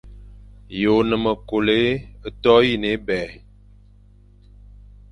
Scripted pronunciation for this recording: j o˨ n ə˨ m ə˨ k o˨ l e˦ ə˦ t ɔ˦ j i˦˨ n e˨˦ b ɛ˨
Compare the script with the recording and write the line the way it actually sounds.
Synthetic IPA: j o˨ n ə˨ m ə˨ k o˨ l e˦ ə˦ t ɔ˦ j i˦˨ n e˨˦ b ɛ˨